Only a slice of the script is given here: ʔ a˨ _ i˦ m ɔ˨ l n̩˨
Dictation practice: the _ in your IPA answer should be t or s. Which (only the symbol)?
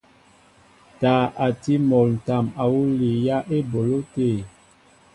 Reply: t